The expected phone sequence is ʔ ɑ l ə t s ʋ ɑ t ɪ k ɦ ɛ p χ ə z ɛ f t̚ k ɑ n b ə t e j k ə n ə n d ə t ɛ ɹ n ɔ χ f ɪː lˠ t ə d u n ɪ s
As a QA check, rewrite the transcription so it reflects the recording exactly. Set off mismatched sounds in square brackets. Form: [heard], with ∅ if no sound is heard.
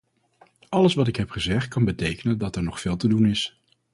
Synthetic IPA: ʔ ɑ l ə [∅] s ʋ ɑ t ɪ k ɦ ɛ p χ ə z ɛ [χ] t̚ k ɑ n b ə t e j k ə n ə n d [ɑ] t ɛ ɹ n ɔ χ f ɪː lˠ t ə d u n ɪ s